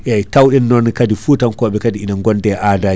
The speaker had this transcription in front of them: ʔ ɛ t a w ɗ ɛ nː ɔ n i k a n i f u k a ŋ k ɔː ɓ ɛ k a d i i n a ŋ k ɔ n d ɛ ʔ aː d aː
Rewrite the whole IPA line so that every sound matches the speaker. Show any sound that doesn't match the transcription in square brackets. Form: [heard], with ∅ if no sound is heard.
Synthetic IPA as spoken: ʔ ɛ t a w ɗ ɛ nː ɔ n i k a [d] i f u [t] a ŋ k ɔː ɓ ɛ k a d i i n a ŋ [ɡ] ɔ n d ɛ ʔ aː d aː